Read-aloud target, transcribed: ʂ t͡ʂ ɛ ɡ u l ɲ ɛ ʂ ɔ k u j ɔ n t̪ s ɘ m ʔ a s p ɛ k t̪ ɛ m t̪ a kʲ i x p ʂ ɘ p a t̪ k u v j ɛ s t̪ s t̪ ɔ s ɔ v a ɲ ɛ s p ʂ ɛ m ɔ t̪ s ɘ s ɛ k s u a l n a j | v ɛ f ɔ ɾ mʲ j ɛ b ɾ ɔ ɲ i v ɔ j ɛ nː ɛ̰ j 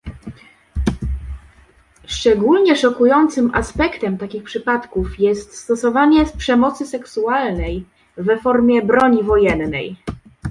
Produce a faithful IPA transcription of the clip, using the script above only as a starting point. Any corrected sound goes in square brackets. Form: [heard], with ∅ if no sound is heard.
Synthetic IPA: ʂ t͡ʂ ɛ ɡ u l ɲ ɛ ʂ ɔ k u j ɔ n t̪ s ɘ m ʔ a s p ɛ k t̪ ɛ m t̪ a kʲ i x p ʂ ɘ p a t̪ k u [f] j ɛ s t̪ s t̪ ɔ s ɔ v a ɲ ɛ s p ʂ ɛ m ɔ t̪ s ɘ s ɛ k s u a l n [ɛ] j | v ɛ f ɔ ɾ mʲ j ɛ b ɾ ɔ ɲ i v ɔ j ɛ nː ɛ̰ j